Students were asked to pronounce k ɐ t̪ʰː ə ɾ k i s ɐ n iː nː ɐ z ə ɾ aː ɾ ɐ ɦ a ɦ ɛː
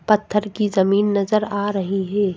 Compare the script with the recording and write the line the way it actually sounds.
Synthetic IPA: p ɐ t̪ʰː ə ɾ k i z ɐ m iː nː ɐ z ə ɾ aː ɾ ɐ ɦ i ɦ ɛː